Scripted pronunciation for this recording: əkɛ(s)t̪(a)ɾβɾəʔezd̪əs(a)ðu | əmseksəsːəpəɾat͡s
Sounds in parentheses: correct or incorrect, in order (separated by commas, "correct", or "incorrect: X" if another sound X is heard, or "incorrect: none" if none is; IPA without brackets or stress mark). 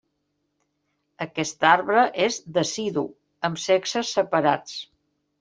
correct, correct, incorrect: i